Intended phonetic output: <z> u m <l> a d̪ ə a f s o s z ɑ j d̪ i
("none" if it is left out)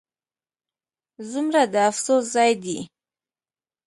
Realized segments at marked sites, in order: z, ɾ

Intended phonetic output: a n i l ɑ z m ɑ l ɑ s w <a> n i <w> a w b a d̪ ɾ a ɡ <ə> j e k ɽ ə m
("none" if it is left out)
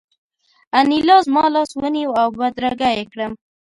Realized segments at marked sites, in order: ə, w, a

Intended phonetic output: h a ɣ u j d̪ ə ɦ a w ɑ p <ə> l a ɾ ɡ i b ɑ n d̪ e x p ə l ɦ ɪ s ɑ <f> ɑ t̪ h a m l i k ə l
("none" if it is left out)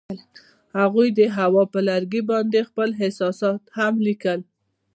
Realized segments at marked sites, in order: ə, s

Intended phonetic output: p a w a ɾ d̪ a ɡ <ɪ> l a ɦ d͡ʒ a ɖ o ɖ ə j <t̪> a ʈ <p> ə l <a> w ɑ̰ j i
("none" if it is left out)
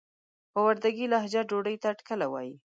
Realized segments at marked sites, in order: i, t̪, k, a

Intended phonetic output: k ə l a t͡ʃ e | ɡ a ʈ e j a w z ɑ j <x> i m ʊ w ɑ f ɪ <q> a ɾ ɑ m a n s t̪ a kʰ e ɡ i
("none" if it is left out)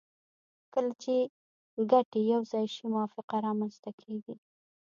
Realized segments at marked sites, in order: ʃ, q

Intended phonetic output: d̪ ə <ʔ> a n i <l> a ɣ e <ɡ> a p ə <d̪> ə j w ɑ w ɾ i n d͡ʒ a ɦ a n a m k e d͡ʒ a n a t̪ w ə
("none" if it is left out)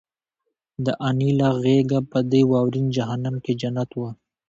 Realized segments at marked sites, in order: ʔ, l, ɡ, d̪

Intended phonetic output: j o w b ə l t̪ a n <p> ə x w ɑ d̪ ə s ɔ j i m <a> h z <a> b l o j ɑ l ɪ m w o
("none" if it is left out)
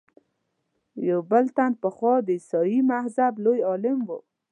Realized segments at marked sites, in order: p, a, a

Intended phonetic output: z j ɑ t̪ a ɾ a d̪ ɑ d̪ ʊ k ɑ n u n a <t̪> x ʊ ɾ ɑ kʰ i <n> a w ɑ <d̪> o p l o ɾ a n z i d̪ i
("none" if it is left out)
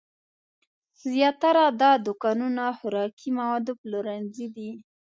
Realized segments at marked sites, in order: none, m, d̪

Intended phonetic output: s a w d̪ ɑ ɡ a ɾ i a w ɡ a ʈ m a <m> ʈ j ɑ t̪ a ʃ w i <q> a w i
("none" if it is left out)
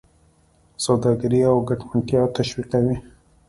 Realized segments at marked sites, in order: ɳ, q

